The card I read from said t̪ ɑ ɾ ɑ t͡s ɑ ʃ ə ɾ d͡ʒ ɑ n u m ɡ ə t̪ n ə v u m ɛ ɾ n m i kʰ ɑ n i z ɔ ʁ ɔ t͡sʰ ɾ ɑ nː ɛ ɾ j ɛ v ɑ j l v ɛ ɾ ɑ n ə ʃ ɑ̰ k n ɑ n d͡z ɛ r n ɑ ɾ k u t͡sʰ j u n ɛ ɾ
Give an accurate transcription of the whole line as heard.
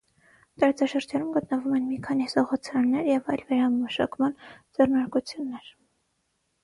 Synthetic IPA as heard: t̪ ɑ ɾ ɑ t͡s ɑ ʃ ə ɾ d͡ʒ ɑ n u m ɡ ə t̪ n ə v u m ɛ n m i kʰ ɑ n i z ɔ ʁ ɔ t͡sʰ ɾ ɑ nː ɛ ɾ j ɛ v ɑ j l v ɛ ɾ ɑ m ə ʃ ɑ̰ k m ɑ n d͡z ɛ r n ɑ ɾ k u t͡sʰ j u nː ɛ ɾ